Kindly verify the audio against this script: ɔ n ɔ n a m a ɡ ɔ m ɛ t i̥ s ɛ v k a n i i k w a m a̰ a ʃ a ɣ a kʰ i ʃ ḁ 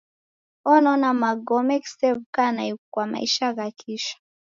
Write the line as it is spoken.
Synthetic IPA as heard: ɔ n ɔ n a m a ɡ ɔ m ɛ k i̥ s ɛ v k a n a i k w a m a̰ i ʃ a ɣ a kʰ i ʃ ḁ